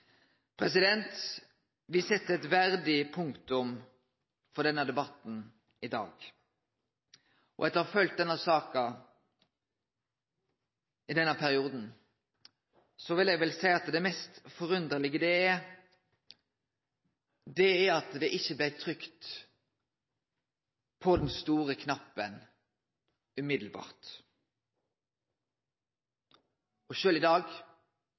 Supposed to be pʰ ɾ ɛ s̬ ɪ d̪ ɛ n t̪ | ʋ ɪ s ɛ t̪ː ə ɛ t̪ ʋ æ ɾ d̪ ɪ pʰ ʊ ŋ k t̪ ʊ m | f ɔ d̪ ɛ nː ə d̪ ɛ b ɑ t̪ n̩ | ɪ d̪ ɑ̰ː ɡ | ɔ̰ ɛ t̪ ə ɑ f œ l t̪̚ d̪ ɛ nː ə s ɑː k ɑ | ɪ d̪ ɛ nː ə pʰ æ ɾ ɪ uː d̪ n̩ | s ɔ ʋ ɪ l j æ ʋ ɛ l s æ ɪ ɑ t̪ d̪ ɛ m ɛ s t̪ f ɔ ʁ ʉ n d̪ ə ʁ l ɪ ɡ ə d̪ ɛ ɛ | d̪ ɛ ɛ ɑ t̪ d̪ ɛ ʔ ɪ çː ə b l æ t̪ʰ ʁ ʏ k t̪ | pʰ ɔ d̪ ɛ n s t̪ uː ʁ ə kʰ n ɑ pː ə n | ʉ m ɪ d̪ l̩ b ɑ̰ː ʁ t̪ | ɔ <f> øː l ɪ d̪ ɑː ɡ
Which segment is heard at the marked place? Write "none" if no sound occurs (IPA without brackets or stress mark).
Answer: ʃ